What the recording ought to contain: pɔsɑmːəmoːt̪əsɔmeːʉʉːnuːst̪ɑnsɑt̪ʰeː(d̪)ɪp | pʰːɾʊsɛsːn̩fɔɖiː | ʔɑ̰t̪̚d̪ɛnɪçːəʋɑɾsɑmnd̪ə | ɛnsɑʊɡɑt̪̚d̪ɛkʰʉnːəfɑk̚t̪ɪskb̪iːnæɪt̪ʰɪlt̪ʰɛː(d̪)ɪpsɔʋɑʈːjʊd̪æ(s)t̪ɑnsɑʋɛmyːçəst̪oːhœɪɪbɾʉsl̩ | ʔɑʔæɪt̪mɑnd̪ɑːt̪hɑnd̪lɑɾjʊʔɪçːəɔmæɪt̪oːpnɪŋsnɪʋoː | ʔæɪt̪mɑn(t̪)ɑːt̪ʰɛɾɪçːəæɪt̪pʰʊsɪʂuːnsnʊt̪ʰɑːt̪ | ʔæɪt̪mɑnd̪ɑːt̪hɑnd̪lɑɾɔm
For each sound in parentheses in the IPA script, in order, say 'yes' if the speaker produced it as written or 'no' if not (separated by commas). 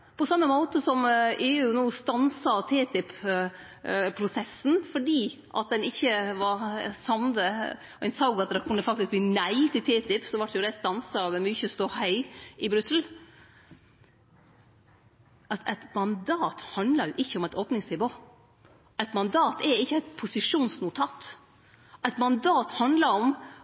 no, no, yes, no